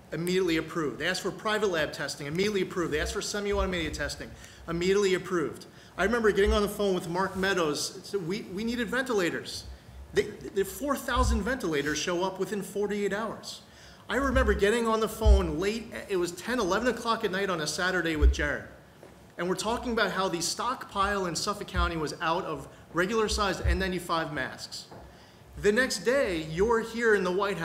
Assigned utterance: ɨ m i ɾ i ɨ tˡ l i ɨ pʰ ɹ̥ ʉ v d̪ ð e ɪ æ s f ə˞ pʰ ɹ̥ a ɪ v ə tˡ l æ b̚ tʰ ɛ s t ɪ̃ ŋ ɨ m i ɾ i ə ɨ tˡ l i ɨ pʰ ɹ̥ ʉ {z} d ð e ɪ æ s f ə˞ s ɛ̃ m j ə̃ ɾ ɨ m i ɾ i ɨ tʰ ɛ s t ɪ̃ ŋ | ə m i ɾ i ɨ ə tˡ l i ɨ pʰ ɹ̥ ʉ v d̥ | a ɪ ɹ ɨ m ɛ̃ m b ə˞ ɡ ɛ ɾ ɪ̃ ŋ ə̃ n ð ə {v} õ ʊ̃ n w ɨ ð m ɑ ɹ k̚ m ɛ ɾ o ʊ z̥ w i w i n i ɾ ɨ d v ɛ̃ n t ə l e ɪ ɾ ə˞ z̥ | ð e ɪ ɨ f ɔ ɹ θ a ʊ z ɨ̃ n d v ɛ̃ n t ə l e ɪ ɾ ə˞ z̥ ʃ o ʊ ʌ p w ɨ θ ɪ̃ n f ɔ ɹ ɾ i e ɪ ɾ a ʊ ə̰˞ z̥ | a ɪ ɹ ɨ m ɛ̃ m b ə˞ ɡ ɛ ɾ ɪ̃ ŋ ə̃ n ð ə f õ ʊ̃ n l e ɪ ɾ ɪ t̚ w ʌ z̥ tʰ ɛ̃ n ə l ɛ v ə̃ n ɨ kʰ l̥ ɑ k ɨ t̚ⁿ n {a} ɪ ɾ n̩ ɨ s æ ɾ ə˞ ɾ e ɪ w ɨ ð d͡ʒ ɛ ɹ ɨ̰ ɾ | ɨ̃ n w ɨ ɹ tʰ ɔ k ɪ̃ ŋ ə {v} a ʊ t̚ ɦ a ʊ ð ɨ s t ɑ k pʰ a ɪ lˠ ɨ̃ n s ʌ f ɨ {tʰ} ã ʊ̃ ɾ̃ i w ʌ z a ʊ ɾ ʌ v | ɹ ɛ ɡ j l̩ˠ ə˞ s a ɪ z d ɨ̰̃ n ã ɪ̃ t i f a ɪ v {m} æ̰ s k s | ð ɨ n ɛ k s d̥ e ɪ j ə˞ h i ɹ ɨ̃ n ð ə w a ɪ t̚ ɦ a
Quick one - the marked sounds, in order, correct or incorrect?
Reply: incorrect, incorrect, correct, incorrect, incorrect, correct

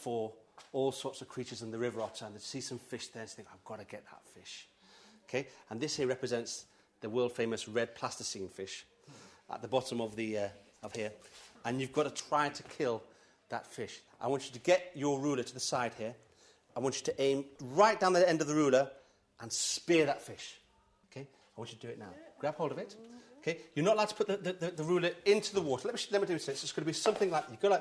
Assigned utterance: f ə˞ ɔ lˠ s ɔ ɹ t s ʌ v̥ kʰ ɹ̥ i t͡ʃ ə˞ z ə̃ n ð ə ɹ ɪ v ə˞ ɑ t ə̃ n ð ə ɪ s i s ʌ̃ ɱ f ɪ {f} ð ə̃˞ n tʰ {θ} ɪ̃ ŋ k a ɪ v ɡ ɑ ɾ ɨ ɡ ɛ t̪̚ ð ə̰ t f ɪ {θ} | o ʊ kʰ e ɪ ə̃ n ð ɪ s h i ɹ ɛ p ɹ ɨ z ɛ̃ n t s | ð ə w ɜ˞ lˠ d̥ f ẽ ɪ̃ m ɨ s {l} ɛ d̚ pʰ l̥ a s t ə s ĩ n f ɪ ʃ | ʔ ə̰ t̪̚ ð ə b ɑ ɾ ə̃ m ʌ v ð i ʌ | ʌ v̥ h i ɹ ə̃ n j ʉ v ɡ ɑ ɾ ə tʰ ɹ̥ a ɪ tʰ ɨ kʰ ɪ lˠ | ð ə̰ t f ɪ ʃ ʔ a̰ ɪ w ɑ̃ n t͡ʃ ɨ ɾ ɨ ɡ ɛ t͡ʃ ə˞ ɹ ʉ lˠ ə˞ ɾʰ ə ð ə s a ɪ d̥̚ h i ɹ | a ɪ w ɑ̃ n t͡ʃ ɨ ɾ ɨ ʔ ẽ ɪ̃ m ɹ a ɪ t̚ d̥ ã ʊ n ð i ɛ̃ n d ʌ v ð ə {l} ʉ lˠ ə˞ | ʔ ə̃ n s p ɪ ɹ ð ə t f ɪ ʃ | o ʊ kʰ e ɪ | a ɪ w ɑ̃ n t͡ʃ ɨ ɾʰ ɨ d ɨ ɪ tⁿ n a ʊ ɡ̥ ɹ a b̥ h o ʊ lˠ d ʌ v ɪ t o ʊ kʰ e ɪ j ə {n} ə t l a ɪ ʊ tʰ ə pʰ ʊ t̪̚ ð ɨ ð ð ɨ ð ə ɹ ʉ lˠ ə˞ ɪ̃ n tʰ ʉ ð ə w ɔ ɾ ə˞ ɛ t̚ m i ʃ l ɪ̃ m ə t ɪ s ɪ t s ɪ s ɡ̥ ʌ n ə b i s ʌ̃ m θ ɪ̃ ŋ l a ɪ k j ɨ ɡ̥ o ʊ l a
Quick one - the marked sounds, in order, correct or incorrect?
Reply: incorrect, correct, incorrect, incorrect, incorrect, correct

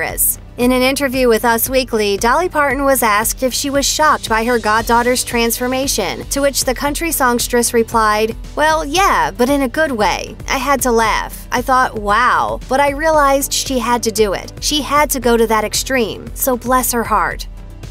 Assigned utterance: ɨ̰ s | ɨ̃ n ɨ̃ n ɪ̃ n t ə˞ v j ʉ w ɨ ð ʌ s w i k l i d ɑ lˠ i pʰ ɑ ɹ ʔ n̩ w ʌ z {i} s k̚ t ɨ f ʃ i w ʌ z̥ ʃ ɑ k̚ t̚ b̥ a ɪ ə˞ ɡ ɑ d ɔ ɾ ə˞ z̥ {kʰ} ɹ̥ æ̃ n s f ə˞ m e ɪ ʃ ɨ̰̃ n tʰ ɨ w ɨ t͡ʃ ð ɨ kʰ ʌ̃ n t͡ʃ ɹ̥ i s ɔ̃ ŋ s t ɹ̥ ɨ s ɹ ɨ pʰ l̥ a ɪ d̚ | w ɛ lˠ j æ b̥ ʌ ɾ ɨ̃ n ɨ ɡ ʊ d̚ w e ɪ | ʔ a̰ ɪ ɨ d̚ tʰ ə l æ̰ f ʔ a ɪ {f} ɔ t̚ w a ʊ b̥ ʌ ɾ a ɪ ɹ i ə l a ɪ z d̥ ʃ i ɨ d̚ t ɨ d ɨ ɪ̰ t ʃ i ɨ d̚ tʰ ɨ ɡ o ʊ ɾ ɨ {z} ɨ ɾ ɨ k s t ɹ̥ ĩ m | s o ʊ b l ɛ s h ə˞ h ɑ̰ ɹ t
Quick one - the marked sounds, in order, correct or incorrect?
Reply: incorrect, incorrect, incorrect, incorrect

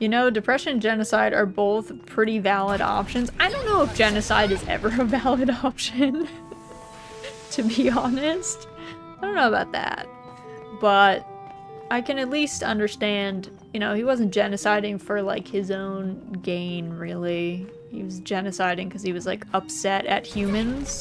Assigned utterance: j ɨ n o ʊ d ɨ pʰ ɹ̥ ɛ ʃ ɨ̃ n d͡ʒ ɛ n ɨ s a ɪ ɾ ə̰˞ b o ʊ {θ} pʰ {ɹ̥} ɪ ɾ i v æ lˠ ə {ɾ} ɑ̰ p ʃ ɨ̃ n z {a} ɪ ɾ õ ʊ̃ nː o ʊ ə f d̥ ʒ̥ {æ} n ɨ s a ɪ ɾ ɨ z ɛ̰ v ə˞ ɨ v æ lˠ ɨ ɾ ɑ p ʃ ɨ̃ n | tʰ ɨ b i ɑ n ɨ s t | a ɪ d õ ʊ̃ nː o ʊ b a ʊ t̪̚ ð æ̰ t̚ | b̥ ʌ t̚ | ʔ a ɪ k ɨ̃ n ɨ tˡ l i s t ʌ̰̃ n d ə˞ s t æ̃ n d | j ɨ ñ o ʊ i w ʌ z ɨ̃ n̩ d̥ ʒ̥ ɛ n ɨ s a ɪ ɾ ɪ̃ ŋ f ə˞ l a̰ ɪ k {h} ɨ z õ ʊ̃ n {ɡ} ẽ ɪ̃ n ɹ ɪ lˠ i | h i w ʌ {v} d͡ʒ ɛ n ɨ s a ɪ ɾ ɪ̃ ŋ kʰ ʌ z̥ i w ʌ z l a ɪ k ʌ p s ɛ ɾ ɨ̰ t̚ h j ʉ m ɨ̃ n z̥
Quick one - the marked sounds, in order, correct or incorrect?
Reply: correct, correct, correct, correct, incorrect, correct, correct, incorrect

